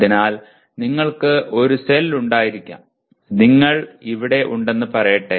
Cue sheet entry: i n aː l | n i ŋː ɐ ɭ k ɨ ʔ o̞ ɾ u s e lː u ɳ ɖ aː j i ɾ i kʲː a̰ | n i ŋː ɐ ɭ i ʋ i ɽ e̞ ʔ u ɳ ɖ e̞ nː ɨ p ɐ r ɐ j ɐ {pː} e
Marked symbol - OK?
no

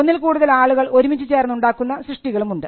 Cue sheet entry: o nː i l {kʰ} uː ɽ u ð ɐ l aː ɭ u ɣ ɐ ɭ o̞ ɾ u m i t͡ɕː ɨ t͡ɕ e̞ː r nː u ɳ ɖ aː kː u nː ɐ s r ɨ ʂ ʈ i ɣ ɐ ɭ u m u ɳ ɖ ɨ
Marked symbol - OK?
no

